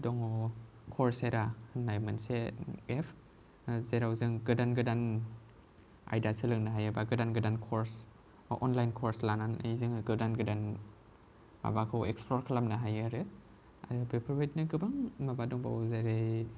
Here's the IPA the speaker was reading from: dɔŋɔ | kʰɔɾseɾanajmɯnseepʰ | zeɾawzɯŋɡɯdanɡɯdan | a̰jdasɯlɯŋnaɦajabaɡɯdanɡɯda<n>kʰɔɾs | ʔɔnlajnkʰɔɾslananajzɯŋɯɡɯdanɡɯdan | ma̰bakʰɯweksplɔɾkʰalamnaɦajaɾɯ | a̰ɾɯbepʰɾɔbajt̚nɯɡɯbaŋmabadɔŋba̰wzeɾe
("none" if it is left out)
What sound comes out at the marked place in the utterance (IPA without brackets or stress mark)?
n